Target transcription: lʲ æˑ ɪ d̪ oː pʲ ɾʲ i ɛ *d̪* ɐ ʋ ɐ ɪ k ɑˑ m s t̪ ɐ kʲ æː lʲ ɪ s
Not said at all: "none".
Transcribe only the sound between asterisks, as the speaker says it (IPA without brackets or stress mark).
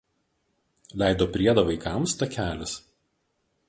d̪